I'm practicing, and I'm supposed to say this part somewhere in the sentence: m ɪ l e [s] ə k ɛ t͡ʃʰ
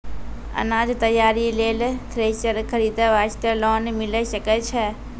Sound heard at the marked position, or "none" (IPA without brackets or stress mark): ʃ